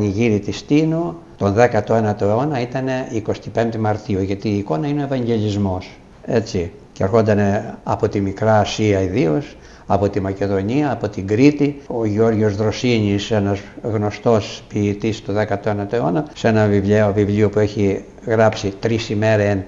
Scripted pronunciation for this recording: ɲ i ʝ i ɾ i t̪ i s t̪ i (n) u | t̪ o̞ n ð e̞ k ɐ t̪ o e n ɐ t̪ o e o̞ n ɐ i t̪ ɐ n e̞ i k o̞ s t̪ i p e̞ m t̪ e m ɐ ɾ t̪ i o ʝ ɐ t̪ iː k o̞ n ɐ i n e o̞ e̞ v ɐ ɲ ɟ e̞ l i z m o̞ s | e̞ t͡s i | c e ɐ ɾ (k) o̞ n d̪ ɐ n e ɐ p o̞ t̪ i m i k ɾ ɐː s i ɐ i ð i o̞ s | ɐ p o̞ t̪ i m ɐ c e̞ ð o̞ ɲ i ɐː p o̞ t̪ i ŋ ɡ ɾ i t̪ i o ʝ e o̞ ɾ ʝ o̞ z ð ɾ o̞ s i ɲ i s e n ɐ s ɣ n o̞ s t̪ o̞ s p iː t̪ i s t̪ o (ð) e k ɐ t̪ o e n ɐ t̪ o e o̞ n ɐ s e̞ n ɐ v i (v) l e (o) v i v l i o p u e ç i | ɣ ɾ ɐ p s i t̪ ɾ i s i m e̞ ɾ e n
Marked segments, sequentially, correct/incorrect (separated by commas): correct, incorrect, correct, correct, correct